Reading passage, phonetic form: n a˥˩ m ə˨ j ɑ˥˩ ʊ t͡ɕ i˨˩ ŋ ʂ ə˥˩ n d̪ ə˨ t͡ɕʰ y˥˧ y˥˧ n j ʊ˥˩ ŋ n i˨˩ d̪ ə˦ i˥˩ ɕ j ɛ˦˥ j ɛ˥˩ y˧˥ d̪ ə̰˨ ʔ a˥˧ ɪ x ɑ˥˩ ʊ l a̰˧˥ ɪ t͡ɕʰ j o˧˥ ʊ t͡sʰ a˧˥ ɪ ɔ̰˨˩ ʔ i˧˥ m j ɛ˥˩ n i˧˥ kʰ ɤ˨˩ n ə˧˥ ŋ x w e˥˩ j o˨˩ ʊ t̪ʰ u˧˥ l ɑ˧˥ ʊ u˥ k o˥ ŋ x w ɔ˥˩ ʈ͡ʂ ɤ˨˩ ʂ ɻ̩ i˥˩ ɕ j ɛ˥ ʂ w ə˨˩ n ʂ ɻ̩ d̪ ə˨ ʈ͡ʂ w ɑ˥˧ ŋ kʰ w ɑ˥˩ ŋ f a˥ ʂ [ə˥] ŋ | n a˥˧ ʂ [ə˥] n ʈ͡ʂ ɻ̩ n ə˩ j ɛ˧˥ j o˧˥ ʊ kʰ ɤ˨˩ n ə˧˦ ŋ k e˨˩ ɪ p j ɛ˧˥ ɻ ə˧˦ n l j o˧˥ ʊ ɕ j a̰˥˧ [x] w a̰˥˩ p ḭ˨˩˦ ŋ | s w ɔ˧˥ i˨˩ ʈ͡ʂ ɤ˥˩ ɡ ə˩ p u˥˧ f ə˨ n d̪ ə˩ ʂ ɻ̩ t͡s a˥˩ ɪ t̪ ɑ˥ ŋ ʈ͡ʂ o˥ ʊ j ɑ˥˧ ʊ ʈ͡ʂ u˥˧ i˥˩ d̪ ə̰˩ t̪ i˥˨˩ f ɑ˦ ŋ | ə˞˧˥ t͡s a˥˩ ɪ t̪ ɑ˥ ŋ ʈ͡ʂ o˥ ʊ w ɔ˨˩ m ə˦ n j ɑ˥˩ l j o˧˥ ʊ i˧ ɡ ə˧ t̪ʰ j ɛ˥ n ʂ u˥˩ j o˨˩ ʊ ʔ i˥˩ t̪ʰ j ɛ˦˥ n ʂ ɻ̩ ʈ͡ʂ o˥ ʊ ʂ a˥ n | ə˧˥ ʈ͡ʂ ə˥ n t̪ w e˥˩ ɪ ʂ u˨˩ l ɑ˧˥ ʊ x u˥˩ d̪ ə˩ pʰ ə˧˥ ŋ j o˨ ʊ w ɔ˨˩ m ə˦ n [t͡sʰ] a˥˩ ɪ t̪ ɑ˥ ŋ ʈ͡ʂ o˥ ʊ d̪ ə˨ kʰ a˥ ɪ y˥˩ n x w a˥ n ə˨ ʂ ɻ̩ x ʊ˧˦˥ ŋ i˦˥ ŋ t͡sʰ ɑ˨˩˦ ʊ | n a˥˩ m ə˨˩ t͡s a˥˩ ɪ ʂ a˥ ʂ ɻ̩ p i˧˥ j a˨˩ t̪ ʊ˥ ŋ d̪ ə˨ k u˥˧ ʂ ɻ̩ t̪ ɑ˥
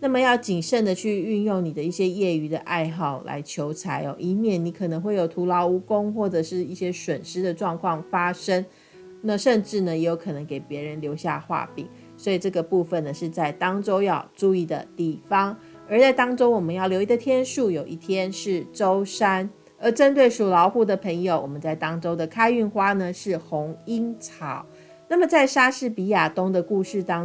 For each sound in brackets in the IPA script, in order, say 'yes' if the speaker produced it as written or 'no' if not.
yes, no, yes, no

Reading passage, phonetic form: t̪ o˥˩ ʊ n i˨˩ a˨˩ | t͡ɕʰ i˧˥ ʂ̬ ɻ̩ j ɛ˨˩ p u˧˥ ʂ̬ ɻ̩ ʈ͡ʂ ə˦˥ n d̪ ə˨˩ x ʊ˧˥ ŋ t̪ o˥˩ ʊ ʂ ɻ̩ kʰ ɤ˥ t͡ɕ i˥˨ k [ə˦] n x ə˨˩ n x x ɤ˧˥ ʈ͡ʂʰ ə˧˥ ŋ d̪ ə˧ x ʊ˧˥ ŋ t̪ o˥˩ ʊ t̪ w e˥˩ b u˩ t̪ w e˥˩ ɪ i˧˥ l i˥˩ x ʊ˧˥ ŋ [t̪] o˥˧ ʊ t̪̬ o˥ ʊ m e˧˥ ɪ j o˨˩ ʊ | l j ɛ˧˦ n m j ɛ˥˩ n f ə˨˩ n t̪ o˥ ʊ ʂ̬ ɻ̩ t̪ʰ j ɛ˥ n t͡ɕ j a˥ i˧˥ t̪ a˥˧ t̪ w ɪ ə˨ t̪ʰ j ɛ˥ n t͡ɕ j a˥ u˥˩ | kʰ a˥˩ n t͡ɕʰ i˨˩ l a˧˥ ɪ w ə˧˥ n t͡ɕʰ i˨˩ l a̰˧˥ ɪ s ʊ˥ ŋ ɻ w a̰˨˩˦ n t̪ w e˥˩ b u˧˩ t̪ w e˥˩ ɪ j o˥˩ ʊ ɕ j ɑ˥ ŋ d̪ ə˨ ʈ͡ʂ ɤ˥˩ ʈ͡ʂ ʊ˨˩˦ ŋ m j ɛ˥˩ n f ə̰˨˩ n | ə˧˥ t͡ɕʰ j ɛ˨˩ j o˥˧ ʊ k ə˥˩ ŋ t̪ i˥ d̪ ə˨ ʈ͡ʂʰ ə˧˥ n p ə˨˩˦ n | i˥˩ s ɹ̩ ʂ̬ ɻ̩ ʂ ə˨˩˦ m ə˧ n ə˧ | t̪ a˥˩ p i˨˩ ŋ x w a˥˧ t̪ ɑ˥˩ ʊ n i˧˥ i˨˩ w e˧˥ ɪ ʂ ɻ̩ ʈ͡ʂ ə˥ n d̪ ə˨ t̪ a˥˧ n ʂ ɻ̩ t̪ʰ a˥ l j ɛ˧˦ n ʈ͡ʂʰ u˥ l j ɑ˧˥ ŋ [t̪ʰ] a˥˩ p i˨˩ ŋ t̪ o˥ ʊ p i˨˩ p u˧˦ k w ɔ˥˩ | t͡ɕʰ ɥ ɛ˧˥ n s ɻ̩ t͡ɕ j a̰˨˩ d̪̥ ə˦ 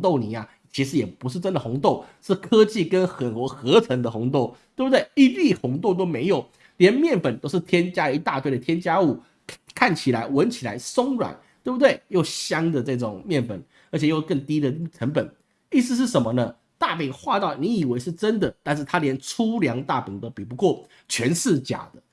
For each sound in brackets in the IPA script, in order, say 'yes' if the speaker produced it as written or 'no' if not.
yes, yes, no

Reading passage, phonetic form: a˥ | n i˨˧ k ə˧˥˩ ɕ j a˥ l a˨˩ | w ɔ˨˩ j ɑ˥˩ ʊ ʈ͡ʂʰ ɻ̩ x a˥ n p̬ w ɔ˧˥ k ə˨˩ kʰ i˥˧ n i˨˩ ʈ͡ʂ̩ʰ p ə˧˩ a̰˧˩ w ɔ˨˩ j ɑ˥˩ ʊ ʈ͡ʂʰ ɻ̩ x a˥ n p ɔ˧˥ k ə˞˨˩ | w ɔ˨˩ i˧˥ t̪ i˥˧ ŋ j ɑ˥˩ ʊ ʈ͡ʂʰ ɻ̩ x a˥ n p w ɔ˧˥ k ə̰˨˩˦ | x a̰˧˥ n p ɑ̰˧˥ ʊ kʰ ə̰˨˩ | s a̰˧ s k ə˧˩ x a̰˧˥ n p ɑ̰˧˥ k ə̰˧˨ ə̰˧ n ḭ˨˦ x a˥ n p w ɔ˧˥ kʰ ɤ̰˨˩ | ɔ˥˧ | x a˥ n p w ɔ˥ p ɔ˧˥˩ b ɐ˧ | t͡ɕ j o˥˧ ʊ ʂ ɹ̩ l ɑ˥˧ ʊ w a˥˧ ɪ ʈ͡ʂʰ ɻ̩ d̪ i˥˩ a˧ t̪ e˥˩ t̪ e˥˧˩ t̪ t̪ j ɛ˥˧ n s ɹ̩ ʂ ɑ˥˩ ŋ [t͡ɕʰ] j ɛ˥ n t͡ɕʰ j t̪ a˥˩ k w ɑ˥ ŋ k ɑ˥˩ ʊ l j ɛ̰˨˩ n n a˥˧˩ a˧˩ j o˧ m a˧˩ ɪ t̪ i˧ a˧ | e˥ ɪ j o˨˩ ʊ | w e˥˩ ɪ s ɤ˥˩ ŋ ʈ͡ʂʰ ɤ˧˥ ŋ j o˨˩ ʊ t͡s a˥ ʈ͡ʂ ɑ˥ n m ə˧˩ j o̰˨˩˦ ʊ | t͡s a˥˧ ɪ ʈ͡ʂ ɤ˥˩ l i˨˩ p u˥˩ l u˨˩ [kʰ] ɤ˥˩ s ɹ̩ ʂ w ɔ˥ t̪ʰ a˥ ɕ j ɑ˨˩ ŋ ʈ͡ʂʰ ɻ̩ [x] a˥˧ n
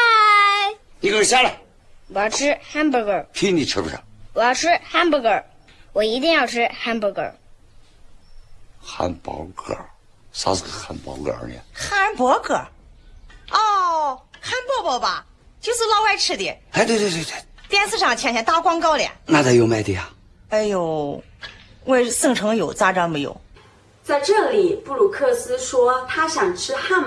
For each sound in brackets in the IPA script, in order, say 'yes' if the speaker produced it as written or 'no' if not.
yes, yes, yes

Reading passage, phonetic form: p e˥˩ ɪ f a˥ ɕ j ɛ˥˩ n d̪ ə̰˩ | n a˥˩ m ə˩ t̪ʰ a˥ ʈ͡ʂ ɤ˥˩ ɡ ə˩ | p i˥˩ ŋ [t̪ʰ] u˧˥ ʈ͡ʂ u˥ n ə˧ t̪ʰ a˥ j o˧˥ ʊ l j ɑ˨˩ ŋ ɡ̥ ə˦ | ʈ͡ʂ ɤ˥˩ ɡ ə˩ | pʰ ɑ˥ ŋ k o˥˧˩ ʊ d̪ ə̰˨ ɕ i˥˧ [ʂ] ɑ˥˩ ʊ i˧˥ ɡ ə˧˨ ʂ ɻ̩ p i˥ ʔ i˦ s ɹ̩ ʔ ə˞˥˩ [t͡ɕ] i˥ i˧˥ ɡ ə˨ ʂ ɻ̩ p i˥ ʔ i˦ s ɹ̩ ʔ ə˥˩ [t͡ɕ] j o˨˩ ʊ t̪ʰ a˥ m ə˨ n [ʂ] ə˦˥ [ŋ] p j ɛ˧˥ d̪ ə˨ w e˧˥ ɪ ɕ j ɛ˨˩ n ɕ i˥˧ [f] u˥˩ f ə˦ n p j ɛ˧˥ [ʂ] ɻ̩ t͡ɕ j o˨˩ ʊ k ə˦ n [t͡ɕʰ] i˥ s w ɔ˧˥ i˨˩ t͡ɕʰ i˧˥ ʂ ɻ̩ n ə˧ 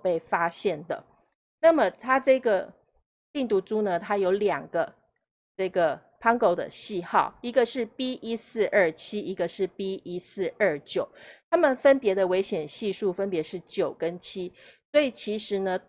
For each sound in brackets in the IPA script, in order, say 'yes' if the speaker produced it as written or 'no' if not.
no, no, no, yes, no, no, no, yes, yes

